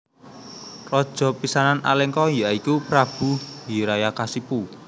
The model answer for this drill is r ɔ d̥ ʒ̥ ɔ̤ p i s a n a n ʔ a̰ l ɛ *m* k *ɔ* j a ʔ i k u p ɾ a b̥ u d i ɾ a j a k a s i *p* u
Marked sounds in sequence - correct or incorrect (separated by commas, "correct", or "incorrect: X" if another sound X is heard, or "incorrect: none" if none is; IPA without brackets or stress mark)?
incorrect: ŋ, correct, correct